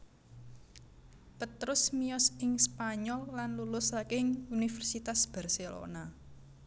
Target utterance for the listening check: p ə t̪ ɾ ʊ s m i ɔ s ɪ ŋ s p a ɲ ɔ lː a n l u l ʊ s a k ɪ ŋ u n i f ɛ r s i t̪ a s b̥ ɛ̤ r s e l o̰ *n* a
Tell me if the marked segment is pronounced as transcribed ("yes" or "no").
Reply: yes